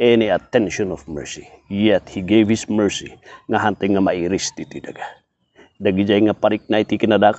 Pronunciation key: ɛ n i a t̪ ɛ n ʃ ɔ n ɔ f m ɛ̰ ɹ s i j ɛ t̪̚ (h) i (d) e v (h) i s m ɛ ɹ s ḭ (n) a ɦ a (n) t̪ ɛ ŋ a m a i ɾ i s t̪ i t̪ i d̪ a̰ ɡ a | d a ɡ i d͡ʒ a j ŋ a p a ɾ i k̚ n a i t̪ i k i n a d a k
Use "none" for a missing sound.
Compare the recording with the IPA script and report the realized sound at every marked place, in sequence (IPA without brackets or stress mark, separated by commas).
h, ɡ, h, ŋ, n